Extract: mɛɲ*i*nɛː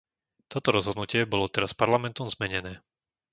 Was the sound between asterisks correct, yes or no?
no